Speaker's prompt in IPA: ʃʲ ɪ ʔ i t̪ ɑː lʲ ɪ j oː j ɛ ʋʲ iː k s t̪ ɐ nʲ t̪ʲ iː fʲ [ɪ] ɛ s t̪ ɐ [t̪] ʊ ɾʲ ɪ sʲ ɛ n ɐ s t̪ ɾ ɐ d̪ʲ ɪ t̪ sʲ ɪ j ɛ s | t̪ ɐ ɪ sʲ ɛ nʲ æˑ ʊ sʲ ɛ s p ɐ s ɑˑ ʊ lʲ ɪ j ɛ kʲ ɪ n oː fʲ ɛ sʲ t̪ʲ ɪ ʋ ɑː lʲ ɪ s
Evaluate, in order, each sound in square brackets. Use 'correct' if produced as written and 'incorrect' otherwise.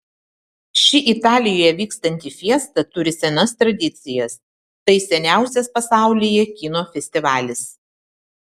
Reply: incorrect, correct

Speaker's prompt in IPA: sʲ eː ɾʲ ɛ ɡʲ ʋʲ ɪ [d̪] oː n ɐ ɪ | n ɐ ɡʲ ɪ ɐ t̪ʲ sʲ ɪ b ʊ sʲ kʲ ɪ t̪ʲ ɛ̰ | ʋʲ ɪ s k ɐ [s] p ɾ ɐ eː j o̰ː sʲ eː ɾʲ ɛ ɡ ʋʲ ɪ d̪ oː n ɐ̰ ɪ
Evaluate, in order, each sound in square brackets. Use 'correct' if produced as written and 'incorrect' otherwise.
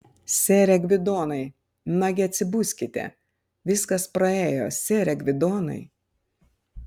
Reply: correct, correct

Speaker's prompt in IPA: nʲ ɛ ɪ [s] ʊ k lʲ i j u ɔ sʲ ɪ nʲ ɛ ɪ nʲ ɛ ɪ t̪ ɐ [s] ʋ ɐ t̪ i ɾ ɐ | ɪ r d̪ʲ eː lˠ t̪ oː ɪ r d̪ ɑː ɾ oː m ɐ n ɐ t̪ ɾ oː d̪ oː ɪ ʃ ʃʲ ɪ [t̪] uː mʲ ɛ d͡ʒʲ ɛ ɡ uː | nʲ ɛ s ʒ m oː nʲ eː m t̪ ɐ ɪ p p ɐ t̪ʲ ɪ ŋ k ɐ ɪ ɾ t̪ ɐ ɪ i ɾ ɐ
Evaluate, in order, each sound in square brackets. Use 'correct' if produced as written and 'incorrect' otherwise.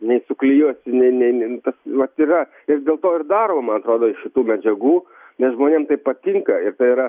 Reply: correct, correct, correct

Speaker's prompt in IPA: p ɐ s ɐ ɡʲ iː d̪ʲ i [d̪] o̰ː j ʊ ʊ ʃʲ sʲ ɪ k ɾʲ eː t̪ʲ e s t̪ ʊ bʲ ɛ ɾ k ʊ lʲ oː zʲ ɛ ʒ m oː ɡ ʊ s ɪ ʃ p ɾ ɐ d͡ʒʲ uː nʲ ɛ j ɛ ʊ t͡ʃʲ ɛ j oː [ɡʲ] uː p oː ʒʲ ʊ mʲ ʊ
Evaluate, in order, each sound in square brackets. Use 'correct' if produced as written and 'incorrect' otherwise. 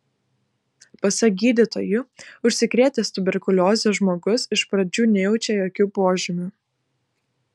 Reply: incorrect, incorrect

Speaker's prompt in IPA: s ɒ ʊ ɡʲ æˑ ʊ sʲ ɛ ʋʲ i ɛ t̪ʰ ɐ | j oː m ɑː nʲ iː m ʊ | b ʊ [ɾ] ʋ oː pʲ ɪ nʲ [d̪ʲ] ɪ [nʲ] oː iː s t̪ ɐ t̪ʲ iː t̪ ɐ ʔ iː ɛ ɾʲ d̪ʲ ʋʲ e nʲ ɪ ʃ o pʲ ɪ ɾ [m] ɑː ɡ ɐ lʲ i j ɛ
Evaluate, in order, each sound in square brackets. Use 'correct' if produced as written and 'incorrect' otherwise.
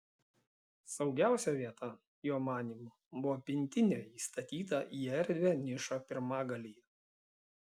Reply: incorrect, incorrect, correct, correct

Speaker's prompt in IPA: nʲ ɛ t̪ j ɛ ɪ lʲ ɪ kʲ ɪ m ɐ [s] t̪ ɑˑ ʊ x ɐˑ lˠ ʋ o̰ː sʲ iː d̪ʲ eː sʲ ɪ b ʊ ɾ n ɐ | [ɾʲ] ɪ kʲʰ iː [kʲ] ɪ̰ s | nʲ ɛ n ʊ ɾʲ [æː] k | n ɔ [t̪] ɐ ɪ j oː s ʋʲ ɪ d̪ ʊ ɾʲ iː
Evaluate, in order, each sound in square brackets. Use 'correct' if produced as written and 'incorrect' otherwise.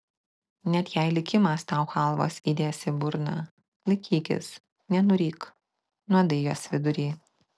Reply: correct, incorrect, correct, incorrect, incorrect

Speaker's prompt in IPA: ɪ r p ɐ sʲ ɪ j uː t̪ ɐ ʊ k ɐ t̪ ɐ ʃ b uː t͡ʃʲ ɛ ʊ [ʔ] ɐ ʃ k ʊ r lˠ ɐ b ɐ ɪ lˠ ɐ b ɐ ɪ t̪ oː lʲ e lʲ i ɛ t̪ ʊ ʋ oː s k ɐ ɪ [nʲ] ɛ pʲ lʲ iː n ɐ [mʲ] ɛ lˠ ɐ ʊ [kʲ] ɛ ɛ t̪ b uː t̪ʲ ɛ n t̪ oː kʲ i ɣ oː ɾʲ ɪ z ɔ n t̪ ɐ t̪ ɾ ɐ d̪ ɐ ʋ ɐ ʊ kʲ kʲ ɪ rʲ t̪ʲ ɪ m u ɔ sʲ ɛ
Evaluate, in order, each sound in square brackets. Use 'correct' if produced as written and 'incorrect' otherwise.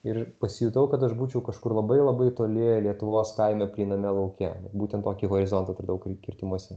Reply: incorrect, incorrect, correct, correct

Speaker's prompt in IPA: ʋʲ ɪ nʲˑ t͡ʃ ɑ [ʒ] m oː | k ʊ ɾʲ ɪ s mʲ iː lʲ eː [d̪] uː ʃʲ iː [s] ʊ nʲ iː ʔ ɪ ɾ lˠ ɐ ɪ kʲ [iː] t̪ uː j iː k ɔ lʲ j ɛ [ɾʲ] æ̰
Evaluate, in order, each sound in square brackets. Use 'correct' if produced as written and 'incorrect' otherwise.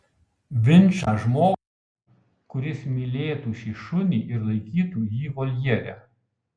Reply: correct, incorrect, incorrect, correct, correct

